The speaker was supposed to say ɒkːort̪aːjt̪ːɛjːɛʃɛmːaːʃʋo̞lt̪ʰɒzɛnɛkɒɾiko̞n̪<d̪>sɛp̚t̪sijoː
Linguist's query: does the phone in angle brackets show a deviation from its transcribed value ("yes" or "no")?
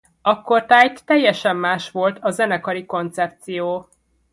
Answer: yes